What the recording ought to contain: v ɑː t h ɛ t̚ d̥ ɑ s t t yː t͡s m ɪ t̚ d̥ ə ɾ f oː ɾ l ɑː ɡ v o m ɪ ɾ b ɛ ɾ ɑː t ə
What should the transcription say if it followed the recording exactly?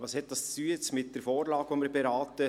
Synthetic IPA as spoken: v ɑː s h ɛ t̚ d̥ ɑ s t͡s t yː t͡s m ɪ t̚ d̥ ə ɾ f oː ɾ l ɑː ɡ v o m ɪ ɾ b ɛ ɾ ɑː t ə